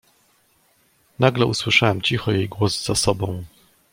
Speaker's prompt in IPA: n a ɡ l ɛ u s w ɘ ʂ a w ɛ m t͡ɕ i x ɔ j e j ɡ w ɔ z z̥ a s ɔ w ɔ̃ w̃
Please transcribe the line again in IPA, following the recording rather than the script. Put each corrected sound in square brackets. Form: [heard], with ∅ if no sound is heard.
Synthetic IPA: n a ɡ l ɛ u s w ɘ ʂ a w ɛ m t͡ɕ i x ɔ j e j ɡ w ɔ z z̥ a s ɔ [b] ɔ̃ w̃